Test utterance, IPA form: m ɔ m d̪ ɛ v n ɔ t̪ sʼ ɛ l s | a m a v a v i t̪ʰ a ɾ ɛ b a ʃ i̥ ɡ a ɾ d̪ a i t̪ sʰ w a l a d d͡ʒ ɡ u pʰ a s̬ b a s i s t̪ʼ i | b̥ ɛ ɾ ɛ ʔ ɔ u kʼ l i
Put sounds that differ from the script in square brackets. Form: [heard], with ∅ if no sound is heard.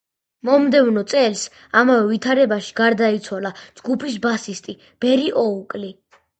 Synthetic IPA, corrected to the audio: m ɔ m d̪ ɛ v n ɔ t̪ sʼ ɛ l s | a m a v [ɛ] v i t̪ʰ a ɾ ɛ b a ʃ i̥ ɡ a ɾ d̪ a i t̪ sʰ w a l a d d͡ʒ ɡ u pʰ [i] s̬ b a s i s t̪ʼ i | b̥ ɛ ɾ [i] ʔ ɔ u kʼ l i